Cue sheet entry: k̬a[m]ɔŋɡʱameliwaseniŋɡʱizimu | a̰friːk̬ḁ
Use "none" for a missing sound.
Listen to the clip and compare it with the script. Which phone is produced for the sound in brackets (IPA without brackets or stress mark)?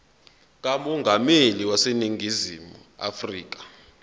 m